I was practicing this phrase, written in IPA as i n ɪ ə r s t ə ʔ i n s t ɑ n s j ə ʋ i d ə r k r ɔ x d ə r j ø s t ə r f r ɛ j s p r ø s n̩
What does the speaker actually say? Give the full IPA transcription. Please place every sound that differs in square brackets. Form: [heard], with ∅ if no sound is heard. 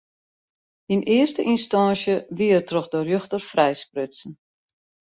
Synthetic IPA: i n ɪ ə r s t ə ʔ i n s t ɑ n s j ə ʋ i [∅] ə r [t] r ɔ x d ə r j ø [x] t ə r f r ɛ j s p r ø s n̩